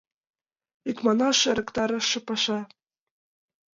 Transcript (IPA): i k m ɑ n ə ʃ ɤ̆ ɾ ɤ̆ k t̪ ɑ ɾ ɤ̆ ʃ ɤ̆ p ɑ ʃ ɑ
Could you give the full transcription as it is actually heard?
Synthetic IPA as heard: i k m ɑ n ɑ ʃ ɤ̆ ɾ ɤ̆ k t̪ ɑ ɾ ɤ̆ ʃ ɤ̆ p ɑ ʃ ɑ